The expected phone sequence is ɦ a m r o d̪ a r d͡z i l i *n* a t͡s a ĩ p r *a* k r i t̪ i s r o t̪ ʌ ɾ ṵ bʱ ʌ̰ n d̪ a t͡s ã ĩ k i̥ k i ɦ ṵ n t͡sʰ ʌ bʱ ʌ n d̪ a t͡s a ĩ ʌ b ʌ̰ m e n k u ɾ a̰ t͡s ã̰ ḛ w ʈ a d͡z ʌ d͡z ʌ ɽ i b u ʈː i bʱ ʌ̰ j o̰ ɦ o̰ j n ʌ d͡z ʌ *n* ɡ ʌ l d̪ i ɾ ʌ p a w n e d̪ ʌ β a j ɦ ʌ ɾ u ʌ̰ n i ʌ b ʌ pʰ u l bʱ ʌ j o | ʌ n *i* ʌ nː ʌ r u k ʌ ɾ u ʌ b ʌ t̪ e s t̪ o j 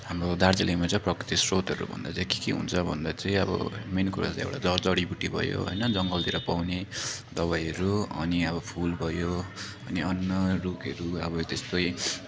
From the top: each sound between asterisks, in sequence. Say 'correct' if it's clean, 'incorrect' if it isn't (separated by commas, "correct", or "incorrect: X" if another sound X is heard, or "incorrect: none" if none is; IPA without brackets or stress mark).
incorrect: m, incorrect: ʌ, incorrect: ŋ, correct